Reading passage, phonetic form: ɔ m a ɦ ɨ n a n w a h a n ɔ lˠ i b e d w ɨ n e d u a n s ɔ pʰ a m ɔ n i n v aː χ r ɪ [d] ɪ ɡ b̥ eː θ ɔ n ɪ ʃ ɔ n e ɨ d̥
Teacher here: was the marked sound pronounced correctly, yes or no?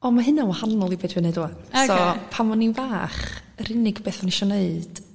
no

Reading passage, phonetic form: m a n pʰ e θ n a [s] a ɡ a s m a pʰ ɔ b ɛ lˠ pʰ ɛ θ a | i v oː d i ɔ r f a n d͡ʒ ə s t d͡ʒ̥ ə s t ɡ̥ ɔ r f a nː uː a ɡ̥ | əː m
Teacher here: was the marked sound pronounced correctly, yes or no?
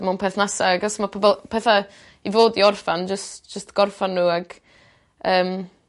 yes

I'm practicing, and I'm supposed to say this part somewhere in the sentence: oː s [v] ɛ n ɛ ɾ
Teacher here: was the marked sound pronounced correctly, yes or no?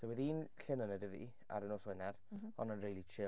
no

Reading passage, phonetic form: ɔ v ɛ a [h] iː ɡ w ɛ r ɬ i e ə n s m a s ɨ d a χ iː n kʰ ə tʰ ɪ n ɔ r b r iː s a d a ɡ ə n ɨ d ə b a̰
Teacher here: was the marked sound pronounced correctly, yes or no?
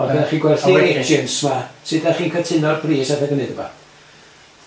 no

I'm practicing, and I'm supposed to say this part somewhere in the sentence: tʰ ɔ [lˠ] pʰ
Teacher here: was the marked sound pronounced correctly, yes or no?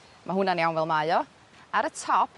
no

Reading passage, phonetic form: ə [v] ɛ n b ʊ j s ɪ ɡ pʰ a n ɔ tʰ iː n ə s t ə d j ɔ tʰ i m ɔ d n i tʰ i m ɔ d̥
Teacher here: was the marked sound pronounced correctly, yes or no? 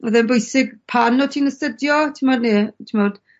no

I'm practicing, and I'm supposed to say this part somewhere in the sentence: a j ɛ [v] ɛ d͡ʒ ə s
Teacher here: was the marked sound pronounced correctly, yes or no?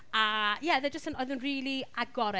no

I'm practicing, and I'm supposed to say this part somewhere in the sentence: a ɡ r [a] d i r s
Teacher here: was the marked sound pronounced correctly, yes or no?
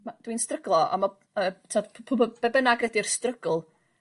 no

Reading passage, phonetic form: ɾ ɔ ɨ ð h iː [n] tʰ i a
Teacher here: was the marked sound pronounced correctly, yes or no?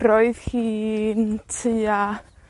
yes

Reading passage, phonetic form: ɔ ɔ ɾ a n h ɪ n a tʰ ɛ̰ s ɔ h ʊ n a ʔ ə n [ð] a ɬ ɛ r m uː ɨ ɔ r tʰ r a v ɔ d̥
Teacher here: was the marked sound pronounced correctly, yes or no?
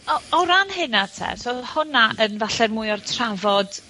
no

